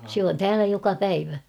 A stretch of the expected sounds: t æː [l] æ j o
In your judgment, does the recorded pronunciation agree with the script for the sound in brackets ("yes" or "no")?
yes